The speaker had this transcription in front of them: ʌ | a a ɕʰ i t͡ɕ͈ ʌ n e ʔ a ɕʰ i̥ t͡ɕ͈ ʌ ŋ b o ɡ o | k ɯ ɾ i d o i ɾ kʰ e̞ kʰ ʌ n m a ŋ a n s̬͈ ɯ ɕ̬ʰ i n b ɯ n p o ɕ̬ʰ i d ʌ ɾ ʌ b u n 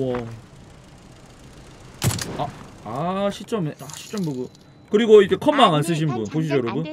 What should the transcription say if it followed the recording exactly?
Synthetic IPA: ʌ | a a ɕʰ i t͡ɕ͈ ʌ m e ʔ a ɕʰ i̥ t͡ɕ͈ ʌ m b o ɡ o | k ɯ ɾ i ɡ o i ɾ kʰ e̞ kʰ ʌ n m a ŋ a n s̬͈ ɯ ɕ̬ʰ i n b u n p o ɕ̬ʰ i d͡ʑ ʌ ɾ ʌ b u n